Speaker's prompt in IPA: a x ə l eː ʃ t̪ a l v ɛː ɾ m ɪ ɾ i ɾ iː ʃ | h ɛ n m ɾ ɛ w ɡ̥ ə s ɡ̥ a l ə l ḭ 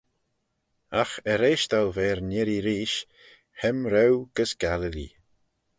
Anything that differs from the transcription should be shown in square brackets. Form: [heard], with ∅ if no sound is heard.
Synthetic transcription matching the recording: a x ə [ɾ] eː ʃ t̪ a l v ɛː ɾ [n] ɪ ɾ i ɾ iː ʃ | h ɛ [∅] m ɾ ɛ w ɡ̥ ə s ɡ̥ a l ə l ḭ